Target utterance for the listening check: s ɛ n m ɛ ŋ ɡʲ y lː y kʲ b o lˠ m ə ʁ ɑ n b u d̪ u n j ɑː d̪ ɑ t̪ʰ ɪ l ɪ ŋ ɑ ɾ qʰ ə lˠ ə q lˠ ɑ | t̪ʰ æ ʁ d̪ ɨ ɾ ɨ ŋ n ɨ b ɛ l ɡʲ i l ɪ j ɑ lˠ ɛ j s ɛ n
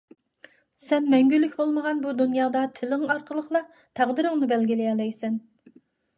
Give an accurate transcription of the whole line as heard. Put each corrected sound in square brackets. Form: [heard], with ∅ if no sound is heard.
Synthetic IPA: s ɛ n m ɛ ŋ ɡʲ y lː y kʲ b o lˠ m ə ʁ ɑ n b u d̪ u n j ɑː d̪ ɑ t̪ʰ ɪ l ɪ ŋ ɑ ɾ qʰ ə lˠ ə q lˠ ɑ | t̪ʰ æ ʁ d̪ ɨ ɾ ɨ ŋ n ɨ b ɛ l ɡʲ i l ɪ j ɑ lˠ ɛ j s ɛ n